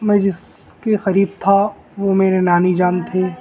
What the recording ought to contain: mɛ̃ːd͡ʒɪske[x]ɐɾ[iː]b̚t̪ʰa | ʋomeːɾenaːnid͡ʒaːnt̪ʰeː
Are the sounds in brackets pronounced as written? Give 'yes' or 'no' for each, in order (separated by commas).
yes, yes